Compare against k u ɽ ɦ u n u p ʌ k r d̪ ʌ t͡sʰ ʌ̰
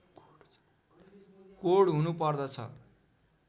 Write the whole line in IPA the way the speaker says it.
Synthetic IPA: k o ɽ ɦ u n u p ʌ r d̪ ʌ t͡sʰ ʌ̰